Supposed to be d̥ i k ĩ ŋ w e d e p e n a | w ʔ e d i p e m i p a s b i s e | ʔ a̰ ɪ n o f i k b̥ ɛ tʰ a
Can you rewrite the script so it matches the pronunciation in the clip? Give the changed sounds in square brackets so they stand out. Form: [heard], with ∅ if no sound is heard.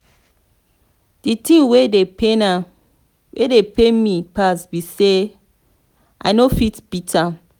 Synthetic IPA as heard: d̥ i [t] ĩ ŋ w e d e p e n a | w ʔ e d [e] p e m i p a s b i s e | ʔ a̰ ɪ n o f i [t] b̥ [i] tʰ a